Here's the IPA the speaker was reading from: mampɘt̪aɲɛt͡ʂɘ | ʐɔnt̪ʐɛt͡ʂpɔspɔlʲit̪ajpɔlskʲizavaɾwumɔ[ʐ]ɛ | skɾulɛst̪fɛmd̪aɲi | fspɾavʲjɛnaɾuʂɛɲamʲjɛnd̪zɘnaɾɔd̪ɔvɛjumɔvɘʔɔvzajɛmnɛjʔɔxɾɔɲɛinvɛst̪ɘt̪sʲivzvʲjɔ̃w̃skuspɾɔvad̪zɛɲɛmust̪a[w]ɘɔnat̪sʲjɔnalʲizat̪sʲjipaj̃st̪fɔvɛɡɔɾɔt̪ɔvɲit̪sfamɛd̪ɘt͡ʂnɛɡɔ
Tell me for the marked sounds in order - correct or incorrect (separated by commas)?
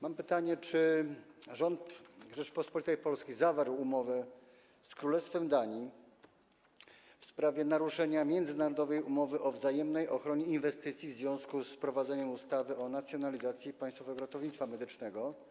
incorrect, incorrect